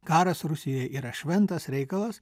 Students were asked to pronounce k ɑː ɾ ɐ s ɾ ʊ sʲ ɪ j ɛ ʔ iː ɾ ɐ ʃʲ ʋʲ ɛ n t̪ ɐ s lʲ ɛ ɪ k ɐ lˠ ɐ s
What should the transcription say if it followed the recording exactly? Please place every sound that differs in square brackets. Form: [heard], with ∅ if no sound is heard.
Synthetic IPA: k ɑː ɾ ɐ s ɾ ʊ sʲ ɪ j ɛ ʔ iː ɾ ɐ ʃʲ ʋʲ ɛ n t̪ ɐ s [ɾʲ] ɛ ɪ k ɐ lˠ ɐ s